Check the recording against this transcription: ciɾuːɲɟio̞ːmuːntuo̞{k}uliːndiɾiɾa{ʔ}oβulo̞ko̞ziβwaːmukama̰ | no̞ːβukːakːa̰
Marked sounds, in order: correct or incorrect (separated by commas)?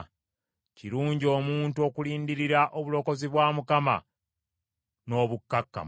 correct, correct